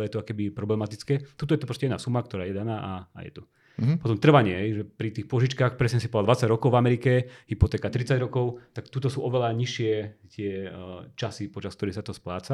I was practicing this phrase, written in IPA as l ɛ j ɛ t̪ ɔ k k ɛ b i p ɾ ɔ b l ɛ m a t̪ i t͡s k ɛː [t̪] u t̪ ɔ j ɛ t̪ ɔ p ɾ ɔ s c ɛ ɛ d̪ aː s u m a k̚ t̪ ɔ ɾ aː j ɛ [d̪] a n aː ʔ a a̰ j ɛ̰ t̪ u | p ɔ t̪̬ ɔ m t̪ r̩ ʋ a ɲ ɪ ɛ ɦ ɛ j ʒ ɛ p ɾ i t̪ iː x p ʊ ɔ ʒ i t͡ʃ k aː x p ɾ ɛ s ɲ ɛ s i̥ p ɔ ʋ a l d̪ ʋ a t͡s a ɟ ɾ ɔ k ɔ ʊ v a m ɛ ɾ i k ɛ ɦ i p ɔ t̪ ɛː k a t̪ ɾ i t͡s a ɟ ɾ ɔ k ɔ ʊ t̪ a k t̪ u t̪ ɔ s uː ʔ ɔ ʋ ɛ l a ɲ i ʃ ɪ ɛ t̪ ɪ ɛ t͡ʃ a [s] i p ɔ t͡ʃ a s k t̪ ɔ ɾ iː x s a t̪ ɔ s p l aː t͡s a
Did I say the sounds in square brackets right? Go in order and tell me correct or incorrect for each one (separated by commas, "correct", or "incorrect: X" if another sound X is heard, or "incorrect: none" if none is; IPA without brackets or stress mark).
correct, correct, correct